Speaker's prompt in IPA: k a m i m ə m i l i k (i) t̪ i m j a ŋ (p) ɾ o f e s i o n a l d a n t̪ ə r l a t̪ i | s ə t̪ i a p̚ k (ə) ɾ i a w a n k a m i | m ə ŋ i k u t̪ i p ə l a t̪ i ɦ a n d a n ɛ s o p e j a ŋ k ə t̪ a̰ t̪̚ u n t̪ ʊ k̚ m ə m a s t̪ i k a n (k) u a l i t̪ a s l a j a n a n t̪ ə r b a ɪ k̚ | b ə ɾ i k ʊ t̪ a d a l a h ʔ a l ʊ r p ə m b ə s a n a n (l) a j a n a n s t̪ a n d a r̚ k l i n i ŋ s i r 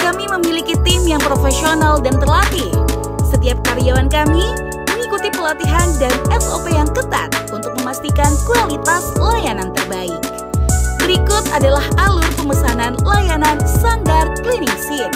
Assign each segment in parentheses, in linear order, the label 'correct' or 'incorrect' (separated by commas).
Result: correct, correct, incorrect, correct, correct